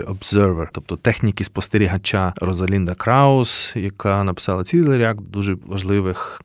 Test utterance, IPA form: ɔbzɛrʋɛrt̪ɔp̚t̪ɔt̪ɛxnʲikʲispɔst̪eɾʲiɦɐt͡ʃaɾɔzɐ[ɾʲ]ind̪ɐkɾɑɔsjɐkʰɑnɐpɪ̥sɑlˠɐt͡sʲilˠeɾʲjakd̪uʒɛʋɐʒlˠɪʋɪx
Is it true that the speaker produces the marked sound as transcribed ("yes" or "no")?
no